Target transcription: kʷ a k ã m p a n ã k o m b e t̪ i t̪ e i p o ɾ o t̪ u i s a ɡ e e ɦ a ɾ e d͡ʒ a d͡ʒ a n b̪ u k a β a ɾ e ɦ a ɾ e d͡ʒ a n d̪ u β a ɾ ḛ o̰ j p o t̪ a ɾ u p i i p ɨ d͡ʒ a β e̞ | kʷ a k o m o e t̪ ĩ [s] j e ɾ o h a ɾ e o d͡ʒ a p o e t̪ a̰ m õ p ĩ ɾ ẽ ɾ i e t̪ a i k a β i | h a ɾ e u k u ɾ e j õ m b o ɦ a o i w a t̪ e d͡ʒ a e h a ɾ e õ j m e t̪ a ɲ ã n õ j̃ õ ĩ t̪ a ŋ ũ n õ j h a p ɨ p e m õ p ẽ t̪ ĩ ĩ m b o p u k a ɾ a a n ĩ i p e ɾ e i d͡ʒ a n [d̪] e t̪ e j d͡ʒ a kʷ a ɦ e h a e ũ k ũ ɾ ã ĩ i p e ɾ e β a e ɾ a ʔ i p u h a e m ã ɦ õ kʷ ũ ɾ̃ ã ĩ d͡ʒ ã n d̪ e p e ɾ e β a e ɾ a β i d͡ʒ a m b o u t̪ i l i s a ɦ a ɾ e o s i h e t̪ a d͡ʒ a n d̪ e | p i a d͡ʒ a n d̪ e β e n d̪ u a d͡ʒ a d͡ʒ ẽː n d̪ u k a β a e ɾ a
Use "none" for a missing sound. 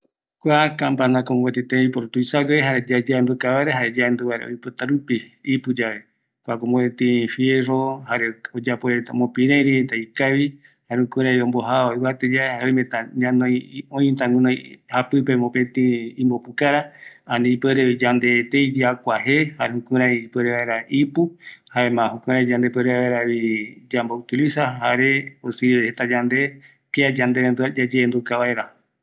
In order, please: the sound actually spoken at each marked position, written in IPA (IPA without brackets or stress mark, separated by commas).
f, d̪